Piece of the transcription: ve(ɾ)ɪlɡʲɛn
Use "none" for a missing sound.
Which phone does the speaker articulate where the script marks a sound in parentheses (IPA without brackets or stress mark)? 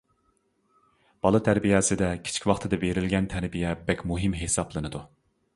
ɾ